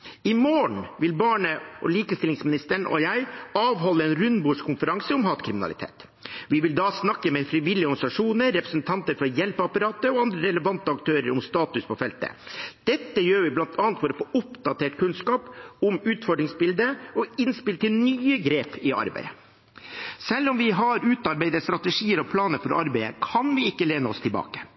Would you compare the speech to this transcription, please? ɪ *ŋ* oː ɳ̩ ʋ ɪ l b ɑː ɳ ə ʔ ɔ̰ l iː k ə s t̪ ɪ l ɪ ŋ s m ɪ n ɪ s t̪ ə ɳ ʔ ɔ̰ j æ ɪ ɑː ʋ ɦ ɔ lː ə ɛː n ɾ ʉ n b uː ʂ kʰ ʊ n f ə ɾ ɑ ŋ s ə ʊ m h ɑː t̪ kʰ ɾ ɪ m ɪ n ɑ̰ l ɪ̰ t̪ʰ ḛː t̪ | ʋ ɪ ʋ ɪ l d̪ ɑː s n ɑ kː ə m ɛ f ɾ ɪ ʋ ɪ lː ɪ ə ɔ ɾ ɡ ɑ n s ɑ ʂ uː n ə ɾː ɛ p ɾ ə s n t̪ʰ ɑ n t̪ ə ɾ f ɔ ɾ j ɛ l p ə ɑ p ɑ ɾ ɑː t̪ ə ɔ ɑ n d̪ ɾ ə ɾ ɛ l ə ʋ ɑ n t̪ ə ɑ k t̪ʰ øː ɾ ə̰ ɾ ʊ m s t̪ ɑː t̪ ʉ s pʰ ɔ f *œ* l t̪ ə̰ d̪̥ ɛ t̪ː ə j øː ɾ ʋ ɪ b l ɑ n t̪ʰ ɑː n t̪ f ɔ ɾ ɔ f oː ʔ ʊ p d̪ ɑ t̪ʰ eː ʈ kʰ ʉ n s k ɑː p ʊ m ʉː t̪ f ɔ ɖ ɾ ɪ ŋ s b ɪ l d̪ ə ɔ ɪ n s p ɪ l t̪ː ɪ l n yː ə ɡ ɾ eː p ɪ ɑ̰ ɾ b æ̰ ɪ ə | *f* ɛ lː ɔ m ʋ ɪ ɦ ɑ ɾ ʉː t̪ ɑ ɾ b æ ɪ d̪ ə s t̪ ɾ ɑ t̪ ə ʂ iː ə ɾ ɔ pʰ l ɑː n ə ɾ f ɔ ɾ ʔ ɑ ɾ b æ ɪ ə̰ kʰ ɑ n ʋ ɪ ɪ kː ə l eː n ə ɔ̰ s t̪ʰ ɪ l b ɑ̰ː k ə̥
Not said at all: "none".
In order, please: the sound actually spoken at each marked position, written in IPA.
m, ɛ, s

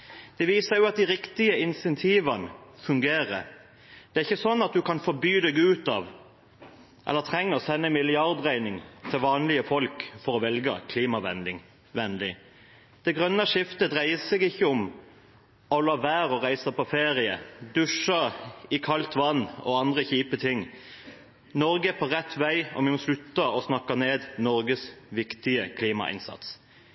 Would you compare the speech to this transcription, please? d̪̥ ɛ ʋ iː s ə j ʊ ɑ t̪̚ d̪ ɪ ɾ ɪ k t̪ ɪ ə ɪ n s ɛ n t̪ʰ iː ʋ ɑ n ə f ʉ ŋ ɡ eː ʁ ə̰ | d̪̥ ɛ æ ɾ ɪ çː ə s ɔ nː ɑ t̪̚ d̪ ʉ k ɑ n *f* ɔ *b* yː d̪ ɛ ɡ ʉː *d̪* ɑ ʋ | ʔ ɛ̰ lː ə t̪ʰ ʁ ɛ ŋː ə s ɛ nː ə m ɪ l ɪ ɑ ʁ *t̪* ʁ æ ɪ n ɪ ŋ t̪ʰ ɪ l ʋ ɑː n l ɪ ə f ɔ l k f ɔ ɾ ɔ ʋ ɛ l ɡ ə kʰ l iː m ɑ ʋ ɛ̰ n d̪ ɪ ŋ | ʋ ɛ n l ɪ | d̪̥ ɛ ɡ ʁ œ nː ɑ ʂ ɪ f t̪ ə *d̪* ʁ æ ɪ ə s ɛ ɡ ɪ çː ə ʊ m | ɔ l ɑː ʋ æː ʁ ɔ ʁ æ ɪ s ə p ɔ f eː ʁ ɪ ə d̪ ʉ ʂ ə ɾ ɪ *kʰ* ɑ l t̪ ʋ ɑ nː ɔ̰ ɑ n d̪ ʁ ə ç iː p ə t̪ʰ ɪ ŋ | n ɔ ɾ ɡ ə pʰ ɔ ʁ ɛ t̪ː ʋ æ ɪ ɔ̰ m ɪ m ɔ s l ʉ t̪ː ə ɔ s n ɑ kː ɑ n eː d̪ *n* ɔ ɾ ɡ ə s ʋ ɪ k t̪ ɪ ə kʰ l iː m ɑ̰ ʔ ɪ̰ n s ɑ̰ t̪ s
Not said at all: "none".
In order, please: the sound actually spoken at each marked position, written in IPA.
f, b, t̪, d̪, d̪, kʰ, n

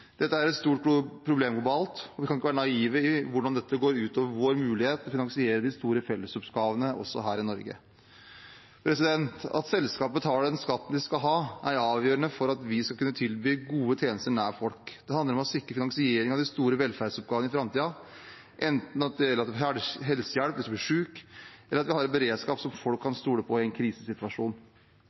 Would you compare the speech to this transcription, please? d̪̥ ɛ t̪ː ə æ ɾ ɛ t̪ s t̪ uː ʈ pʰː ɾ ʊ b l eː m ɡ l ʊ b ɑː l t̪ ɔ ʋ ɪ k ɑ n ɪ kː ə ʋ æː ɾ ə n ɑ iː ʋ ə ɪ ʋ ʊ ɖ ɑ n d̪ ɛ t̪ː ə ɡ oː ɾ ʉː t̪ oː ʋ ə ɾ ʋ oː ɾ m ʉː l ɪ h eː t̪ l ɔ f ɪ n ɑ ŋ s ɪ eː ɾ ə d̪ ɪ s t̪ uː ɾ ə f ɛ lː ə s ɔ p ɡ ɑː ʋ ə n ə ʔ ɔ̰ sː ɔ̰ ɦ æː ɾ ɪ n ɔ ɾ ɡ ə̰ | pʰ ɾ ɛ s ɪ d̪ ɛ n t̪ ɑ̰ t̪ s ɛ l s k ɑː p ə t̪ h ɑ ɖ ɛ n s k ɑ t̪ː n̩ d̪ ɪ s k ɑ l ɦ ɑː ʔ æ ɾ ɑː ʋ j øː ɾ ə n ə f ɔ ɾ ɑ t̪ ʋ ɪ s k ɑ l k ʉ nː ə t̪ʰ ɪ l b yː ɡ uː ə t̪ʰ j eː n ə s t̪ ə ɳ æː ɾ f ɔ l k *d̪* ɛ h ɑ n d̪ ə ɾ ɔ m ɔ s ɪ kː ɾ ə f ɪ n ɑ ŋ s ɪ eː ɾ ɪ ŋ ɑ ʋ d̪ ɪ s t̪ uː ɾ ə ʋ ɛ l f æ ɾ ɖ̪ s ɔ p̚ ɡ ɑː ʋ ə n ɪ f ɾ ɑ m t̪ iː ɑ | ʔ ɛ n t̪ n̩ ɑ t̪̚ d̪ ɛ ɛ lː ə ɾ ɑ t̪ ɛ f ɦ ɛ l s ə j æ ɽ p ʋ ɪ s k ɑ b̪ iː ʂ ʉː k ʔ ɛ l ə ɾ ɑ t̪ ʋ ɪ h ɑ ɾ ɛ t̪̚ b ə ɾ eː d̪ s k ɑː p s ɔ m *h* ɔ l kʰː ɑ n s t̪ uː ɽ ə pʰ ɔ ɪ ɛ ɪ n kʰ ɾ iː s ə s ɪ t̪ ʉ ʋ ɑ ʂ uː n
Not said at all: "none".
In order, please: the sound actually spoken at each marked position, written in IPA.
d̪, f

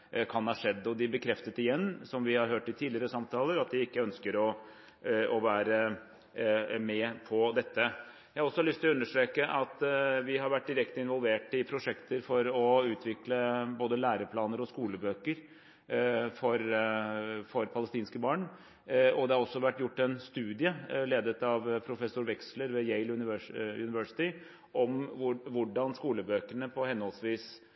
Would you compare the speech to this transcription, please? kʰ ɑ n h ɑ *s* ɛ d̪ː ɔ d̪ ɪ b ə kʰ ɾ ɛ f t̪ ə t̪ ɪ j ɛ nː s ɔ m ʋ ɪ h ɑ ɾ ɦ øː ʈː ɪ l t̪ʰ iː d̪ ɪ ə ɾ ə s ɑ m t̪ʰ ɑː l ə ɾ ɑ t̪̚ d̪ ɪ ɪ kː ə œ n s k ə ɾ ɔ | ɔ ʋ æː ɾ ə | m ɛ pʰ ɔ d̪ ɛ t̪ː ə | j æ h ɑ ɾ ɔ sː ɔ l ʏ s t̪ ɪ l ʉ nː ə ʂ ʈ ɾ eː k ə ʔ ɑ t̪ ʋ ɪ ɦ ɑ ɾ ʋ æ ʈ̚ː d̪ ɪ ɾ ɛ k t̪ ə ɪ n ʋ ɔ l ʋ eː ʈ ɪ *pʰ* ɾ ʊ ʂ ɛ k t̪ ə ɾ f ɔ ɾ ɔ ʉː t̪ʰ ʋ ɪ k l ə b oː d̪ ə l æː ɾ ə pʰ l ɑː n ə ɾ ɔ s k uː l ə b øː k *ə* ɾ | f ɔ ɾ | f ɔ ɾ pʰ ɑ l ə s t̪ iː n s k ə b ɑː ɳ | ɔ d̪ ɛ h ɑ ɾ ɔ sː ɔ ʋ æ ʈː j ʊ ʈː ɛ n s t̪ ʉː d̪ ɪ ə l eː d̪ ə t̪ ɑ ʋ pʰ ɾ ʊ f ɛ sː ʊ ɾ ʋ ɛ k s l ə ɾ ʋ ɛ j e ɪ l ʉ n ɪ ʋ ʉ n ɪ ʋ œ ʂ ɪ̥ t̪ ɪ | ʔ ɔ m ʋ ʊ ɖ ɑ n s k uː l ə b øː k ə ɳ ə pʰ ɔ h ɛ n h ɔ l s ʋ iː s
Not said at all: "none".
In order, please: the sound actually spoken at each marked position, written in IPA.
ʂ, pʰ, ə

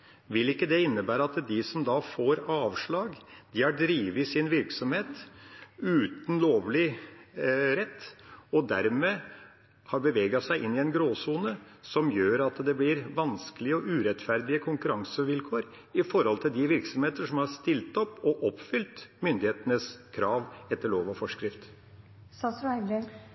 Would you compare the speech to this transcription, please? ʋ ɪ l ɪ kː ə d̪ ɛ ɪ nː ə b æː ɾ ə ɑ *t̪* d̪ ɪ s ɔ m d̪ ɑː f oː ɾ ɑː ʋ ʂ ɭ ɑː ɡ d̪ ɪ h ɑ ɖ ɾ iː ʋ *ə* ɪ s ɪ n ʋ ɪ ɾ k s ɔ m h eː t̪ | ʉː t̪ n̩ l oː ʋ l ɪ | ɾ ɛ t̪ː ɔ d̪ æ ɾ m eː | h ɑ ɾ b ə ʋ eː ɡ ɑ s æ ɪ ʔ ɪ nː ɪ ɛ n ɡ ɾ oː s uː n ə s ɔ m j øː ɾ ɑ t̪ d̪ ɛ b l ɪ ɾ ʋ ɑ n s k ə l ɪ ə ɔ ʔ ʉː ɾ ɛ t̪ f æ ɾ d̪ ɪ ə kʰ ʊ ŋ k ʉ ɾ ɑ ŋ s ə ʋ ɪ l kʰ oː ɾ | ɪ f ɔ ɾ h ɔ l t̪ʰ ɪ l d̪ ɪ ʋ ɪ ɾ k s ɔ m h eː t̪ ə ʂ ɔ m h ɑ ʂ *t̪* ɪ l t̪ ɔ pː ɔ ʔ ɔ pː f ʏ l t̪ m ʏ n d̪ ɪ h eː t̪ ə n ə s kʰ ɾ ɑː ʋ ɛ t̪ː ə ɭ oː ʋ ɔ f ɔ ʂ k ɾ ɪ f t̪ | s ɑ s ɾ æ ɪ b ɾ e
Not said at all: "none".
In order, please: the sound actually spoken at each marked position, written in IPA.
t̪, ə, t̪

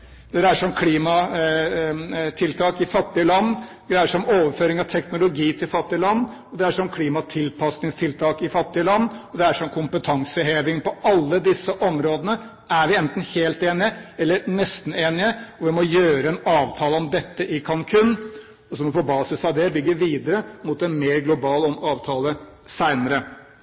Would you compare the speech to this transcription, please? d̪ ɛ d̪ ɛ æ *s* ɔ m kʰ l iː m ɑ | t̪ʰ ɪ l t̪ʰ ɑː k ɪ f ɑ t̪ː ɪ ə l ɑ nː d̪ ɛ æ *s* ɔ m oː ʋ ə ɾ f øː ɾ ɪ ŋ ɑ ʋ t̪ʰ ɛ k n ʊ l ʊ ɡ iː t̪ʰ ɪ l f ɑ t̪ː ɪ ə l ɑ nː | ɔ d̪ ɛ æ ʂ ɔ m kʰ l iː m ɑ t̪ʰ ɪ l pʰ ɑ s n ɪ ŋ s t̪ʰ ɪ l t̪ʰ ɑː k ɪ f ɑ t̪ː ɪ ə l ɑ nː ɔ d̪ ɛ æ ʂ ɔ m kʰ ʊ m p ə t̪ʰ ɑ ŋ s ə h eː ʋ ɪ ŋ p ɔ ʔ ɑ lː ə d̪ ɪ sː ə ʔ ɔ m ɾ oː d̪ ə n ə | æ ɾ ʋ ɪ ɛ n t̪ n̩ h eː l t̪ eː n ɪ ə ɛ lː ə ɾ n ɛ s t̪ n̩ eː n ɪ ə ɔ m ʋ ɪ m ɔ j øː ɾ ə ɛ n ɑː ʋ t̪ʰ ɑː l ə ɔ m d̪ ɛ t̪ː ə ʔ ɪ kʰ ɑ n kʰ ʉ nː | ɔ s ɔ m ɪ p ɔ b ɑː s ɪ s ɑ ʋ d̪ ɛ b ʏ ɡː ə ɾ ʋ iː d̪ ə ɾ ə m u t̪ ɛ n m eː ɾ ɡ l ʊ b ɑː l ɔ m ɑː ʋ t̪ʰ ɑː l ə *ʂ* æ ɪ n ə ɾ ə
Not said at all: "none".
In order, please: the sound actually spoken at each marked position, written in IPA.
ʂ, ʂ, s

